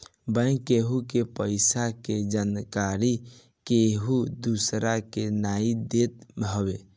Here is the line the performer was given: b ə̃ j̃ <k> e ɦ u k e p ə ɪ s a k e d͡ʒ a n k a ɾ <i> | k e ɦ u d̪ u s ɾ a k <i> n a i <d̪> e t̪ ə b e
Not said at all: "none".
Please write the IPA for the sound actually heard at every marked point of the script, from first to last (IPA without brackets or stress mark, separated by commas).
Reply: k, i, e, d̪